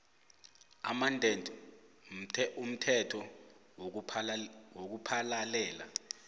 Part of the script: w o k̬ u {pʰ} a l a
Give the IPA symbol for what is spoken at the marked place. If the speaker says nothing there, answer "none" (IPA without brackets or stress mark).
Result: pʰ